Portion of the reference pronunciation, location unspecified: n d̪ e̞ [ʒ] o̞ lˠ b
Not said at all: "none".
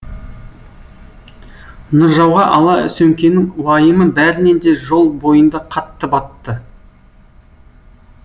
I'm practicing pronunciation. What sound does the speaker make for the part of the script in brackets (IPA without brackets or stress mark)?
ʒ